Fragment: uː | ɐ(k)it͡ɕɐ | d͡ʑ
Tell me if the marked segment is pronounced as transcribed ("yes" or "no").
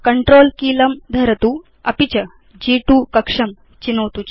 no